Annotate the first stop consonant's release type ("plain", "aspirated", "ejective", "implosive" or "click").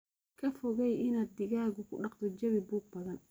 aspirated